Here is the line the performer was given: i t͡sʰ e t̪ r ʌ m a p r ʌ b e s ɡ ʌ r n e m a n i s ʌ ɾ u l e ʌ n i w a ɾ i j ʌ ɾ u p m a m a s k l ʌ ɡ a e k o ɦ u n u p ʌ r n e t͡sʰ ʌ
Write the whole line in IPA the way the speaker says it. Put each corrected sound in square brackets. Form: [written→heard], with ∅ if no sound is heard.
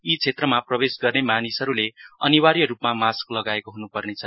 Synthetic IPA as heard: i t͡sʰ e t̪ r ʌ m a p r ʌ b e s ɡ ʌ r n e m a n i s ʌ ɾ u l e ʌ n i w a ɾ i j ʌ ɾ u p m a m a s k l ʌ ɡ a e k o ɦ u n u p ʌ r n e t͡sʰ ʌ